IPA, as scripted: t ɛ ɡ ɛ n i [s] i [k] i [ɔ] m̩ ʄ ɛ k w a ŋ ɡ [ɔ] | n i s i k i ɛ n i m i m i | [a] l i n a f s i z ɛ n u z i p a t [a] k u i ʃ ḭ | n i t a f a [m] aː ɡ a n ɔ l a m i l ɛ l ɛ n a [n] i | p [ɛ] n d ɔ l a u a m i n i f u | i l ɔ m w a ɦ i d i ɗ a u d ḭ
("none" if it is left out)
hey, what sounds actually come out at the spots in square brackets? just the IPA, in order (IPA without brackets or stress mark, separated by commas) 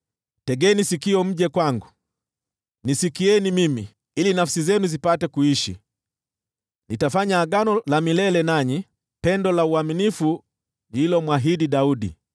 s, k, ɔ, u, i, ɛ, ɲ, ɲ, ɛ